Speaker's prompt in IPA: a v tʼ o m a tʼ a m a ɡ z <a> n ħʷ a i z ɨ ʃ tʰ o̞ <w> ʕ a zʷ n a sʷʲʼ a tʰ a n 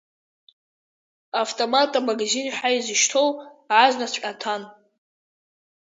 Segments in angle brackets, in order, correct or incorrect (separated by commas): incorrect, correct